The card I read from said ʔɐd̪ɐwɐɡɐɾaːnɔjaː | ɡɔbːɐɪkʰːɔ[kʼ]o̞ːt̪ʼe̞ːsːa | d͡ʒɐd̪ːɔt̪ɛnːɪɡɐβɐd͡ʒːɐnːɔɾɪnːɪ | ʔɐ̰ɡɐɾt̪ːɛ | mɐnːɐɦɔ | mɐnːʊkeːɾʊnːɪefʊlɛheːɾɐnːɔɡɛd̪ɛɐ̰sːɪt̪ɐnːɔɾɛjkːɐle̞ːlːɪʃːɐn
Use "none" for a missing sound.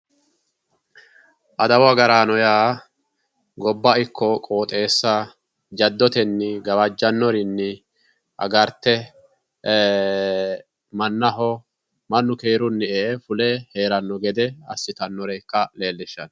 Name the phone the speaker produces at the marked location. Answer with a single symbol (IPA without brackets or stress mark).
kʼ